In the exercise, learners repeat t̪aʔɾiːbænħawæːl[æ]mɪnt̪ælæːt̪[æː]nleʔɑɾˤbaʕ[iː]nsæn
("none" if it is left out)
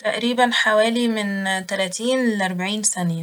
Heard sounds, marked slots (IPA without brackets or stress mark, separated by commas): i, iː, iː